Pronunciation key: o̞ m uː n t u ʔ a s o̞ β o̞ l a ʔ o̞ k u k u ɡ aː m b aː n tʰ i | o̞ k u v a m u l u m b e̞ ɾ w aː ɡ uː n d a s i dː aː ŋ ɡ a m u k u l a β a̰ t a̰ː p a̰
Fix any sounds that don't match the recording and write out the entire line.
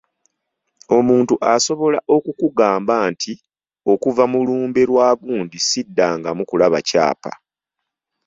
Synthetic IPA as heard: o̞ m uː n t u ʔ a s o̞ β o̞ l a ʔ o̞ k u k u ɡ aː m b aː n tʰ i | o̞ k u v a m u l uː m b e̞ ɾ w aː ɡ uː n d i s i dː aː ŋ ɡ a m u k u l a β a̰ c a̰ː p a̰